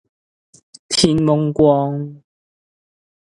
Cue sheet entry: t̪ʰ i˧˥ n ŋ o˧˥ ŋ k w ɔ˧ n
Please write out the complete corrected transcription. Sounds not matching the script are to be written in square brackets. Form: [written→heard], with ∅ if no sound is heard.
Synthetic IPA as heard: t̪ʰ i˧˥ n [ŋ→m] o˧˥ ŋ k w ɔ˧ [n→ŋ]

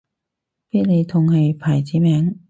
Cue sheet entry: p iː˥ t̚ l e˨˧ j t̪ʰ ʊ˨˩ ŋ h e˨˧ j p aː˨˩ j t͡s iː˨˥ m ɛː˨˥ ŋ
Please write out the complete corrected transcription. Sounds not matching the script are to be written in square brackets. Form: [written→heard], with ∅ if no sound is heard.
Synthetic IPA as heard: p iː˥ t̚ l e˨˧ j t̪ʰ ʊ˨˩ ŋ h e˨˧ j [p→pʰ] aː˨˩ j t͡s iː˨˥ m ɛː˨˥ ŋ

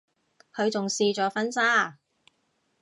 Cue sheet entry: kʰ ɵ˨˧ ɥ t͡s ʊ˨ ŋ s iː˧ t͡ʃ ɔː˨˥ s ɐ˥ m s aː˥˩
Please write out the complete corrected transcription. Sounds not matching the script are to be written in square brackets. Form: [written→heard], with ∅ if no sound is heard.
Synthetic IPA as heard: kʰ ɵ˨˧ ɥ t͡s ʊ˨ ŋ s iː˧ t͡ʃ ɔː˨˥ [s→f] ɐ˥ [m→n] s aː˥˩

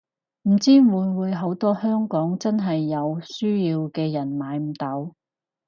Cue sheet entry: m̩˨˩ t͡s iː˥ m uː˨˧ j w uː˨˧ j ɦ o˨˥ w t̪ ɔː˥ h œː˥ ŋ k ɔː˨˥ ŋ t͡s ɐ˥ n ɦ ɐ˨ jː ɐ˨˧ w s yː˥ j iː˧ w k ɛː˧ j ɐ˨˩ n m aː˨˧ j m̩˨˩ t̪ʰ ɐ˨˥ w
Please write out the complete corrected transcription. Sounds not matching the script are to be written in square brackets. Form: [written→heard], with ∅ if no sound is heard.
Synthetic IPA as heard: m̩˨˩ t͡s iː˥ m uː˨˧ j w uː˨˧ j ɦ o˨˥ w t̪ ɔː˥ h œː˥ ŋ k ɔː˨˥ ŋ t͡s ɐ˥ n ɦ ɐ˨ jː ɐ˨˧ w s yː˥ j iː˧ w k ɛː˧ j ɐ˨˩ n m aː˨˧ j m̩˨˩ [t̪ʰ→t̪] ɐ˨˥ w

